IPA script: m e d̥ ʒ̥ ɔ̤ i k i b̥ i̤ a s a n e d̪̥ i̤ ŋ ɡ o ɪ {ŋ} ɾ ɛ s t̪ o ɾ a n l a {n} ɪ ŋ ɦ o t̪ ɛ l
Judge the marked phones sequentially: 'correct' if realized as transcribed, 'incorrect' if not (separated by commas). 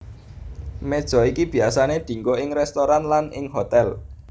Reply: correct, correct